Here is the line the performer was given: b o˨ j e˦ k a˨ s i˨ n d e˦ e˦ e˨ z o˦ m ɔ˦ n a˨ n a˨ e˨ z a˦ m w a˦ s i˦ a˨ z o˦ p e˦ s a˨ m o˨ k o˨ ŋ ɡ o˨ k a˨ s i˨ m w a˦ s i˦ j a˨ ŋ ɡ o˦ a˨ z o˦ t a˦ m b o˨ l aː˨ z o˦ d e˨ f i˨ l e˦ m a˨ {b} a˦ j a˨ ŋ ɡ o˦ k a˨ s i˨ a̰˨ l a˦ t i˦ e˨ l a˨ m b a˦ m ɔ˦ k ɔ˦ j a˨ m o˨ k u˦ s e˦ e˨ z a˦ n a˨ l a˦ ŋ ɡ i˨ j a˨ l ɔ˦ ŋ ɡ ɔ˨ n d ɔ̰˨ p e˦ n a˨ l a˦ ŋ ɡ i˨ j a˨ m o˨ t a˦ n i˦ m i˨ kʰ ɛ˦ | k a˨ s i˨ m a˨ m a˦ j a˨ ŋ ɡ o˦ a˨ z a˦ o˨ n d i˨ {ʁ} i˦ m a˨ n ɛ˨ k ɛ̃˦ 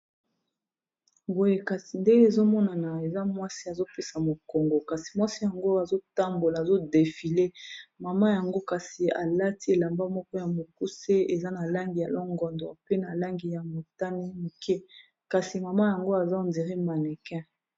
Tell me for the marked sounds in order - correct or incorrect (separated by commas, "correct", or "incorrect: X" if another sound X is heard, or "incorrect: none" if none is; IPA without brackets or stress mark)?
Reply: incorrect: m, correct